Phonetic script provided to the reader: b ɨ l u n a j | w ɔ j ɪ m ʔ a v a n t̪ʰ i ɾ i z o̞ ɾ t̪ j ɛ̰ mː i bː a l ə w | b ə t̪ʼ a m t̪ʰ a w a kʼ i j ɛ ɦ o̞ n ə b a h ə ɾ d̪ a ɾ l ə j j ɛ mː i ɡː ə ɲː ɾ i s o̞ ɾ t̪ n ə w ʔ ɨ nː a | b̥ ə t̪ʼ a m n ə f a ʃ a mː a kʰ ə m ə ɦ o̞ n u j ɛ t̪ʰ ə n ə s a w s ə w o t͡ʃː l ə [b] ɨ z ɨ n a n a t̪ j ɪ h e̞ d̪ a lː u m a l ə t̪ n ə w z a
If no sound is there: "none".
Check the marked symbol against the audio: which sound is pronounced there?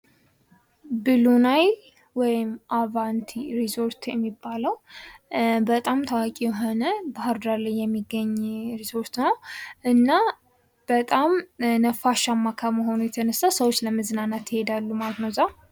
m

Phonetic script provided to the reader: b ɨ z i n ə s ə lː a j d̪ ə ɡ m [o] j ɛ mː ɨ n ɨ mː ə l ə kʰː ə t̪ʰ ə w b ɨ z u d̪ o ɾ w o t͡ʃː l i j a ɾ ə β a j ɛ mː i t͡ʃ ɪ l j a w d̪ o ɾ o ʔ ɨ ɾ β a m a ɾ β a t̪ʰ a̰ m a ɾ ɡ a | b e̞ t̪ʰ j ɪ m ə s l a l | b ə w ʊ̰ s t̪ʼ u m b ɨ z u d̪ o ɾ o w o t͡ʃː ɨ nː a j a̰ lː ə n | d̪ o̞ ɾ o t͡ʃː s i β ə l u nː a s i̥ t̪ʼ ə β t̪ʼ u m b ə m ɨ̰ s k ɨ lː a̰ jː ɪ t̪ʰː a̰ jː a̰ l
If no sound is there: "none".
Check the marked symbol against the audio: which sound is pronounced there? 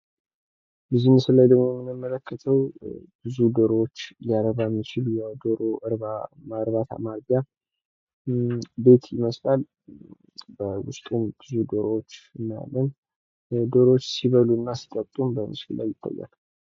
o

